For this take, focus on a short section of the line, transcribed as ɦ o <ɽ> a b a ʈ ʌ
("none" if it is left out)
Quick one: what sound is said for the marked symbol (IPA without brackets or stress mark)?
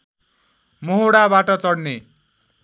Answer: ɽ